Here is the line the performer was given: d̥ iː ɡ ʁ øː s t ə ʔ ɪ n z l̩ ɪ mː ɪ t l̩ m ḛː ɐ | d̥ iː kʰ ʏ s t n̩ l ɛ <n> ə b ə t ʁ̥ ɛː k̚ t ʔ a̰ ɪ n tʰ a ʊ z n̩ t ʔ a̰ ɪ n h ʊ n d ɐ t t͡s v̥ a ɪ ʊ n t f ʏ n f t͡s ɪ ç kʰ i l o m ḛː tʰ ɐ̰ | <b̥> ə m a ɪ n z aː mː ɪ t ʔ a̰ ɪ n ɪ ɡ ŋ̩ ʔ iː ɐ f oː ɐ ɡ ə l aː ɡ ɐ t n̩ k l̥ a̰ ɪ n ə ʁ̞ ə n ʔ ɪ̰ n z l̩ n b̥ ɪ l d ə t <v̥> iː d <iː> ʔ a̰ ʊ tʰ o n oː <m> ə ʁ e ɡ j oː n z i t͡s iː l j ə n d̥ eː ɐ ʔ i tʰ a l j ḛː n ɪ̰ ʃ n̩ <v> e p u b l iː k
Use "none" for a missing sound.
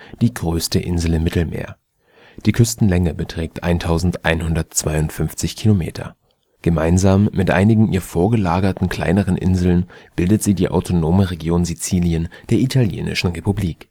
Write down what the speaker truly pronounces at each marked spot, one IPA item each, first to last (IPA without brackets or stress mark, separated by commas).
ŋ, ɡ̥, z̥, iː, m, ʁ